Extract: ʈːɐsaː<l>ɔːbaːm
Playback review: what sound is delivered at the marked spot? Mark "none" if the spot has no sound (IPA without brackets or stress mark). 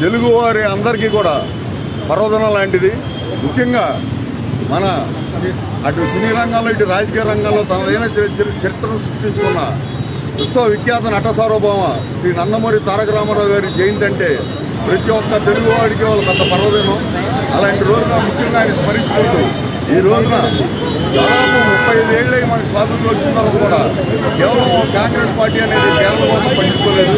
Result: ɾ